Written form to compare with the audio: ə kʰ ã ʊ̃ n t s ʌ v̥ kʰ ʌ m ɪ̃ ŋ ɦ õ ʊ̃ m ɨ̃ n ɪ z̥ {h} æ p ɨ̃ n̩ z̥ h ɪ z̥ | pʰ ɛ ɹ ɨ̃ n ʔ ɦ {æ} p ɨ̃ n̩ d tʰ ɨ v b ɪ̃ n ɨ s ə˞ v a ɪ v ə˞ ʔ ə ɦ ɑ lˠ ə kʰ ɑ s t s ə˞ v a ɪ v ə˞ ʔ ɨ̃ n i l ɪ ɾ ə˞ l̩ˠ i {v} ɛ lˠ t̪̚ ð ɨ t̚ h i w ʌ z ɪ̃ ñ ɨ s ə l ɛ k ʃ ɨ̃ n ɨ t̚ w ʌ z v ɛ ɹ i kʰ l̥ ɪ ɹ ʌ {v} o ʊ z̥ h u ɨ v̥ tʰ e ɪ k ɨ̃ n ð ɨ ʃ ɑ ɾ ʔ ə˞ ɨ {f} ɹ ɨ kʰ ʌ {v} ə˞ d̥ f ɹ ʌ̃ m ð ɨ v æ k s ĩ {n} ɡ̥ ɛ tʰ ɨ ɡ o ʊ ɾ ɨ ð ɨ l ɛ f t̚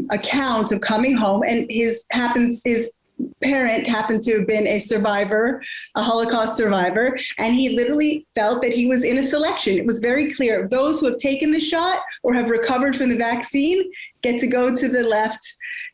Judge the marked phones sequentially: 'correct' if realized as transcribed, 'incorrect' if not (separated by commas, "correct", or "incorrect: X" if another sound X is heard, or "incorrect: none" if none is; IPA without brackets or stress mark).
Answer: correct, correct, incorrect: f, incorrect: ð, incorrect: v, correct, correct